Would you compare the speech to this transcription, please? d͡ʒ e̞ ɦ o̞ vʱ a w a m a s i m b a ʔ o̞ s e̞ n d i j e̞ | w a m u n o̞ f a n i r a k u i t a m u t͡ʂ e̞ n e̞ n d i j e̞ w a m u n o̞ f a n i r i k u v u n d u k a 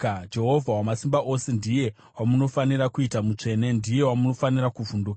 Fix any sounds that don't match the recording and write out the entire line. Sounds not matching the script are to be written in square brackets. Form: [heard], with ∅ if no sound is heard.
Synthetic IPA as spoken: d͡ʒ e̞ ɦ o̞ vʱ a w a m a s i m b a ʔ o̞ s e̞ n d i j e̞ | w a m u n o̞ f a n i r a k u i t a m u t͡ʂ e̞ n e̞ n d i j e̞ w a m u n o̞ f a n i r [a] k u v u n d u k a